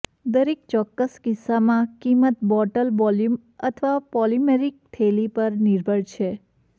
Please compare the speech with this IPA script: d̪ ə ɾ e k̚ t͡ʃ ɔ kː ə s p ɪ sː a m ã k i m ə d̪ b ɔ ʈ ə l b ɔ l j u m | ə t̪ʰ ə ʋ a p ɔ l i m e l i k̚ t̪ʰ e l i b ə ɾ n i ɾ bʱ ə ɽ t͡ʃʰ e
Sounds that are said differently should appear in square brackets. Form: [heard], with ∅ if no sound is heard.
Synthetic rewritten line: d̪ ə ɾ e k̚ t͡ʃ ɔ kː ə s [k] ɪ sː a m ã k i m ə [t̪] b ɔ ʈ ə l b ɔ l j u m | ə t̪ʰ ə ʋ a p ɔ l i m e [ɾ] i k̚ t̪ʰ e l i [p] ə ɾ n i ɾ bʱ ə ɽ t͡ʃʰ e

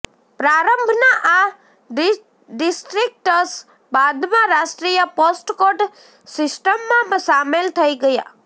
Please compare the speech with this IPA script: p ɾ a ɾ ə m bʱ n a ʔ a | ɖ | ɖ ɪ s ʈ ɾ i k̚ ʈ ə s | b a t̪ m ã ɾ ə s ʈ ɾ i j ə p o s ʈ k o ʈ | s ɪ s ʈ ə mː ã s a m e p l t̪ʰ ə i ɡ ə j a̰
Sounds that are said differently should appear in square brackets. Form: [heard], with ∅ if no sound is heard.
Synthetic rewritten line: p ɾ a ɾ ə m bʱ n a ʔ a | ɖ | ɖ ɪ s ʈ ɾ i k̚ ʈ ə s | b a [d̪] m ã ɾ [a] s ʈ ɾ i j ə p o s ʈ k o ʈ | s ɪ s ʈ ə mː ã s a m e [∅] l t̪ʰ ə i ɡ ə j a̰

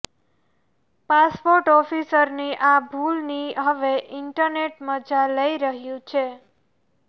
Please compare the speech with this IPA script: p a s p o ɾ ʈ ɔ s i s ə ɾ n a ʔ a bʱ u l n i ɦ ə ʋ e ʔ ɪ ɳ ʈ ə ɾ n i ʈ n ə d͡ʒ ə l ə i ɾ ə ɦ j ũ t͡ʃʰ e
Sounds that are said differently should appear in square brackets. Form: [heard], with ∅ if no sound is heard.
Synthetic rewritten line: p a s p o ɾ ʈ ɔ [f] i s ə ɾ n [i] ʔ a bʱ u l n i ɦ ə ʋ e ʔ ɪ ɳ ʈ ə ɾ n [e] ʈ [m] ə d͡ʒ [a] l ə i ɾ ə ɦ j ũ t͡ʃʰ e

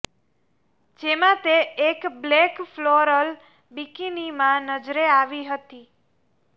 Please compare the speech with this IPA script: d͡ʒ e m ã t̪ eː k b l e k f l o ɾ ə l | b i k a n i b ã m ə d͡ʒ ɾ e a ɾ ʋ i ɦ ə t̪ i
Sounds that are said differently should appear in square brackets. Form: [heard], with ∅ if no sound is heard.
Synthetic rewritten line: d͡ʒ e m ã t̪ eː k b l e k f l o ɾ ə l | b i k [i] n i [m] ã [n] ə d͡ʒ ɾ e a [∅] ʋ i ɦ ə t̪ i

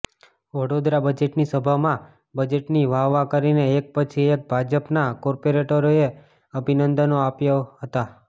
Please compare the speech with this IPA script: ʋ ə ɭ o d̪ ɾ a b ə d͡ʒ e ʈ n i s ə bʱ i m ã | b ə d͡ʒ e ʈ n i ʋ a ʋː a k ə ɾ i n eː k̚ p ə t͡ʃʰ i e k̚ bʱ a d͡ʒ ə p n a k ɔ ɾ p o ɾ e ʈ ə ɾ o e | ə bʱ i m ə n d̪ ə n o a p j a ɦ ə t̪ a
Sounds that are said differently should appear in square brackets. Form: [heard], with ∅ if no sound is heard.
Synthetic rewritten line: ʋ ə [ɽ] o d̪ ɾ a b ə d͡ʒ e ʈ n i s ə bʱ [a] m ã | b ə d͡ʒ e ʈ n i ʋ a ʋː a k ə ɾ i n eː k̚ p ə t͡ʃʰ i e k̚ bʱ a d͡ʒ ə p n a k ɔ ɾ p o ɾ e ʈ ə ɾ o e | ə bʱ i [n] ə n d̪ ə n o a p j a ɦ ə t̪ a

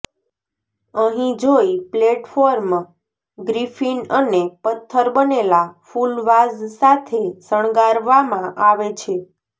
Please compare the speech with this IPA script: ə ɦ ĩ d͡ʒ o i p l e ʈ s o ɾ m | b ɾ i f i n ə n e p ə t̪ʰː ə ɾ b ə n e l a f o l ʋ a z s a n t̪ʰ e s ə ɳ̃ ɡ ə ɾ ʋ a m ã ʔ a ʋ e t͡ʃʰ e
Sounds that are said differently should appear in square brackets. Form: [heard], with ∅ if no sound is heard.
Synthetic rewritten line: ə ɦ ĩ d͡ʒ o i p l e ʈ [f] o ɾ m | [ɡ] ɾ i f i n ə n e p ə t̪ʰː ə ɾ b ə n e l a f [u] l ʋ a z s a [∅] t̪ʰ e s ə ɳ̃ ɡ [a] ɾ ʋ a m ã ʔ a ʋ e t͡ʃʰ e

